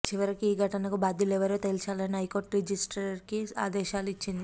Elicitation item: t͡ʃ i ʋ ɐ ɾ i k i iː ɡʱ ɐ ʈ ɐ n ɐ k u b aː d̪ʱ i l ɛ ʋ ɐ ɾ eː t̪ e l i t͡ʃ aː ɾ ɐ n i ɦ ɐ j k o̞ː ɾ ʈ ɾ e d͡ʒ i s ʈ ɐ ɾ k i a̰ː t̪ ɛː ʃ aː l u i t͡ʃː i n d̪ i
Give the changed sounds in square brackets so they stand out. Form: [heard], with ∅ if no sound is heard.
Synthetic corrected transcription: t͡ʃ i ʋ ɐ ɾ i k i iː ɡʱ ɐ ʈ ɐ n ɐ k u b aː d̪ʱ i l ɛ ʋ ɐ ɾ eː t̪ e l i t͡ʃ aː [l] ɐ n i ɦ ɐ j k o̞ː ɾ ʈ ɾ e d͡ʒ i s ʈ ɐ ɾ k i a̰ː [d̪] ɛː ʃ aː l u i t͡ʃː i n d̪ i